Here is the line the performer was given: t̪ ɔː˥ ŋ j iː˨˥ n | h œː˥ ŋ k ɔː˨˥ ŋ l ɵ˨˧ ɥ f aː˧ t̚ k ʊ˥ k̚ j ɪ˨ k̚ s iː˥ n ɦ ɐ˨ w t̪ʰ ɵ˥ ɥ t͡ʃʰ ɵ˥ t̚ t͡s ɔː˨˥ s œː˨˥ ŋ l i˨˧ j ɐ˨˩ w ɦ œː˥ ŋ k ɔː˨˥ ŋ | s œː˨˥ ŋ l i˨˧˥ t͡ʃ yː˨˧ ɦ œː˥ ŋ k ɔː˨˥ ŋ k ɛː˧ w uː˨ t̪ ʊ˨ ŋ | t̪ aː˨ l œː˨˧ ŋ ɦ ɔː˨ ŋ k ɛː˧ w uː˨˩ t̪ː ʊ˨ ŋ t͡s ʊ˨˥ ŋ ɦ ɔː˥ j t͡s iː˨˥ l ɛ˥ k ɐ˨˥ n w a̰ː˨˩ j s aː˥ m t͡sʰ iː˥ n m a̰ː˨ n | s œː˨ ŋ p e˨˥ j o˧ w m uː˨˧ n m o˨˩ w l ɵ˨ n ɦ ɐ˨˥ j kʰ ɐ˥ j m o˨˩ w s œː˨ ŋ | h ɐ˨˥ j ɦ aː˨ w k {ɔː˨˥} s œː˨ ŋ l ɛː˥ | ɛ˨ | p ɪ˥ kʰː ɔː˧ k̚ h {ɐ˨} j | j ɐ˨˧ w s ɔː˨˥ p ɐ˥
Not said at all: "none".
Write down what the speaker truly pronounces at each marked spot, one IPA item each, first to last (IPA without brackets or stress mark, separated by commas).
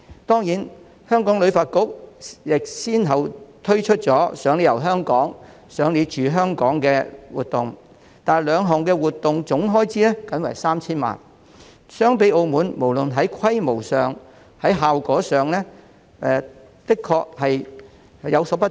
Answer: ɔː˨˥, ɐ˨